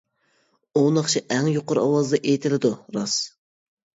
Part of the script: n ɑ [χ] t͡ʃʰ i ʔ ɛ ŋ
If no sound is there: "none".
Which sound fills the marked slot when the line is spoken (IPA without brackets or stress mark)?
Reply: χ